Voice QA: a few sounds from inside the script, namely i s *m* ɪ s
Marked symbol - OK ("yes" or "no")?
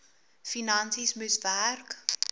yes